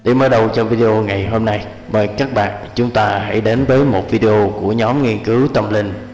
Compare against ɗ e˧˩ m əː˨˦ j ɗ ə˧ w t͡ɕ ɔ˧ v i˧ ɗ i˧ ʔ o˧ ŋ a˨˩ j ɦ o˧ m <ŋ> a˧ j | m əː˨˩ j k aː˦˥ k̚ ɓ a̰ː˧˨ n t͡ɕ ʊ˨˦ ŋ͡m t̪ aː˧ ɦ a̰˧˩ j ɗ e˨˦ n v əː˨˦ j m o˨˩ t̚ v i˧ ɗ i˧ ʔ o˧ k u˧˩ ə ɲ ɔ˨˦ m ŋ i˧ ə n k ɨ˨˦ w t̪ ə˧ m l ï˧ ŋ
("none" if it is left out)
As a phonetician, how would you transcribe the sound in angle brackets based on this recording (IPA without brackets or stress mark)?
n